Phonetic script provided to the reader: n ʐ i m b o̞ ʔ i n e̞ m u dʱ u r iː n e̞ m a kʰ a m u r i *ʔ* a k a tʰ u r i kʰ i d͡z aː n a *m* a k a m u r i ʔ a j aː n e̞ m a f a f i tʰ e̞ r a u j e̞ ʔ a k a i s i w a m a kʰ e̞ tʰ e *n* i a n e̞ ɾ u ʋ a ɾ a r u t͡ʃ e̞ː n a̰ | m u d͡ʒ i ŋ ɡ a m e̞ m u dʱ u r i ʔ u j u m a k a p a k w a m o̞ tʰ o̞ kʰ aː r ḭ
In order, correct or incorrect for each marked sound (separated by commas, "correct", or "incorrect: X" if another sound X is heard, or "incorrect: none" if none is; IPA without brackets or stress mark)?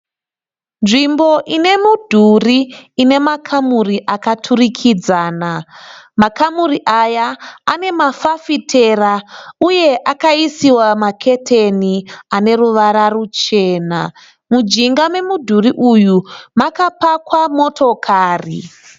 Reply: correct, correct, correct